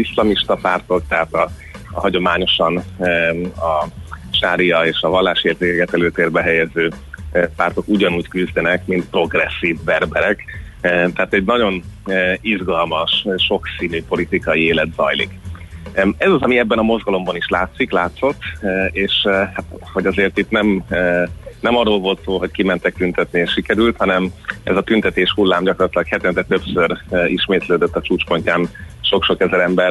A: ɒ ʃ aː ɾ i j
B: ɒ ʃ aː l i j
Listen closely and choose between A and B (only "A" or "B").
A